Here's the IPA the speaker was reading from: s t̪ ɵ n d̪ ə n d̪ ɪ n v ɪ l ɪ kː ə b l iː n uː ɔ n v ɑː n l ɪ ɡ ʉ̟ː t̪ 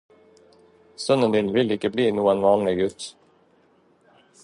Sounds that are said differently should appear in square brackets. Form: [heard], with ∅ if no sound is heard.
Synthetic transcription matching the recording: s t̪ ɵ n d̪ ə n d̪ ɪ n v ɪ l ɪ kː ə b l iː n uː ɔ n v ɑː n l ɪ ɡ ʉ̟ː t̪